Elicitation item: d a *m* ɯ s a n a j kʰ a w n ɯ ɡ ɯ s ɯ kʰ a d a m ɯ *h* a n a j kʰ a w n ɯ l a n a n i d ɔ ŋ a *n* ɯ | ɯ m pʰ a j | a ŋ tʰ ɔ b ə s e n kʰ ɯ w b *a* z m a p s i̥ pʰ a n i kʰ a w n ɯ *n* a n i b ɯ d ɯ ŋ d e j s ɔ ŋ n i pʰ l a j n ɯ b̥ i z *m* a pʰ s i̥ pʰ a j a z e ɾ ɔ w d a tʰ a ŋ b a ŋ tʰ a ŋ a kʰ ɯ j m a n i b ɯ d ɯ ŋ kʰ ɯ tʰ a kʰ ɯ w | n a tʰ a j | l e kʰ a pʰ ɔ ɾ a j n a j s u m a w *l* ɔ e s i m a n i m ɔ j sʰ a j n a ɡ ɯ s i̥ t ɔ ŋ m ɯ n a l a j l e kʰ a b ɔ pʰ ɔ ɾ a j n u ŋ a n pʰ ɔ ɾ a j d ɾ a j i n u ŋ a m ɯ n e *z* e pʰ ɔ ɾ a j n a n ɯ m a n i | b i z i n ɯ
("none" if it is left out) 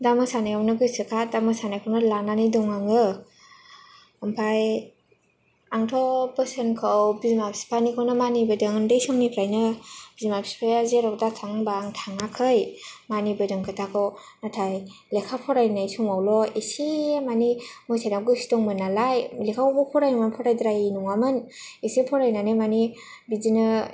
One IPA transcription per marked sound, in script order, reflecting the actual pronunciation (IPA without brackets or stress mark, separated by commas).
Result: m, s, ŋ, i, m, m, l, s